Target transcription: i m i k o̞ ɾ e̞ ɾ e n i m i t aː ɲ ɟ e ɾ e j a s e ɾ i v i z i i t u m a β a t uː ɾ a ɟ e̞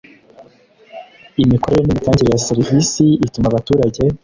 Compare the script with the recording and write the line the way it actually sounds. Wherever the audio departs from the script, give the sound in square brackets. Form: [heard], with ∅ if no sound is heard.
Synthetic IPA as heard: i m i k o̞ ɾ e̞ ɾ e n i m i t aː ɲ ɟ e ɾ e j a s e ɾ i v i [s] i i t u m a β a t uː ɾ a ɟ e̞